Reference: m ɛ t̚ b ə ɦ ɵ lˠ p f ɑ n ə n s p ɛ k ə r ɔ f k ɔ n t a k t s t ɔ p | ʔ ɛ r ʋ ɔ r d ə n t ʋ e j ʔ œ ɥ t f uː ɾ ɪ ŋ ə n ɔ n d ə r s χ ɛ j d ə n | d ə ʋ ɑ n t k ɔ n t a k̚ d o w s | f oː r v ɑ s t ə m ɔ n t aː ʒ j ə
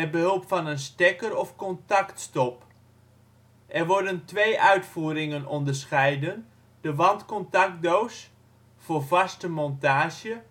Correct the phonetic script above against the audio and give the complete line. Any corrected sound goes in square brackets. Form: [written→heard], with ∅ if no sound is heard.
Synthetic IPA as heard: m ɛ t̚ b ə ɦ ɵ lˠ p f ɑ n ə n s [p→t] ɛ k ə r ɔ f k ɔ n t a k t s t ɔ p | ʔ ɛ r ʋ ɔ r d ə n t ʋ e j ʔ œ ɥ t f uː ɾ ɪ ŋ ə n ɔ n d ə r s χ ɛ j d ə n | d ə ʋ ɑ n t k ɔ n t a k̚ d o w s | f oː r v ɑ s t ə m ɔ n t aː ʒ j ə